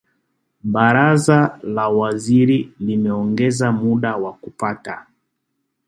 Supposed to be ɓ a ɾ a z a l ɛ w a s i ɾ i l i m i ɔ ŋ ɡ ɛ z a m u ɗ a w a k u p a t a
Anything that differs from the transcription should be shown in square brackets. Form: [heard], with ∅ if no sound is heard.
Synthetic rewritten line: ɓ a ɾ a z a l [a] w a [z] i ɾ i l i m [ɛ] ɔ ŋ ɡ ɛ z a m u ɗ a w a k u p a t a